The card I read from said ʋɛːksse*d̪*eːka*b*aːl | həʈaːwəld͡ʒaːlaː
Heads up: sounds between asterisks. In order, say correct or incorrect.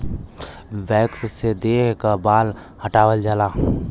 correct, correct

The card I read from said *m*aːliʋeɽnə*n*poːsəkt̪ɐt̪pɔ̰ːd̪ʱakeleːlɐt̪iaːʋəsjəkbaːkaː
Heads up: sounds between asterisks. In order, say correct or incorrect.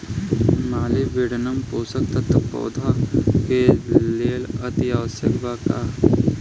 correct, incorrect: m

